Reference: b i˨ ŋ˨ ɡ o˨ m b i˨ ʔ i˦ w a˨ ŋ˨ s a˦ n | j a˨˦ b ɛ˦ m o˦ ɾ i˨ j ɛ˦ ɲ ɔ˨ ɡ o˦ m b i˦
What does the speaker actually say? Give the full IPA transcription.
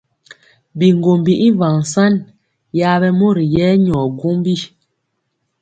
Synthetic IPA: b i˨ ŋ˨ ɡ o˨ m b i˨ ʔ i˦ v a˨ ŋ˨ s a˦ n | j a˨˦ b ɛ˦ m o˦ ɾ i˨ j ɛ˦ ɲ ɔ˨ ɡ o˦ m b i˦